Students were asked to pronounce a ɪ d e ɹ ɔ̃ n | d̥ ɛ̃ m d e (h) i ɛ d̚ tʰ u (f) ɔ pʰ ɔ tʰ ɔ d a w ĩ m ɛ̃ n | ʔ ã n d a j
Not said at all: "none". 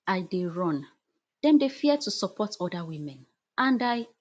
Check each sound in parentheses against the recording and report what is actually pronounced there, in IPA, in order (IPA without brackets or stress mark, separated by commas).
f, s